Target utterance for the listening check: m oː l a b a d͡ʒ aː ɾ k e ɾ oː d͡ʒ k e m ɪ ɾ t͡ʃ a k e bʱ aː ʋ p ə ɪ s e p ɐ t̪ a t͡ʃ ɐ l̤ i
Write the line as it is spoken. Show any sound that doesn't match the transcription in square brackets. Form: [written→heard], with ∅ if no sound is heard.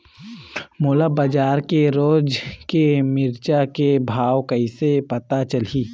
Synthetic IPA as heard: m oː l a b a d͡ʒ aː ɾ k e ɾ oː d͡ʒ k e m ɪ ɾ t͡ʃ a k e bʱ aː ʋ [p→k] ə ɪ s e p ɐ t̪ a t͡ʃ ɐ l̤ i